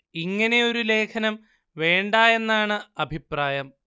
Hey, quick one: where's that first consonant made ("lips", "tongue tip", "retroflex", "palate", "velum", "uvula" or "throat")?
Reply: velum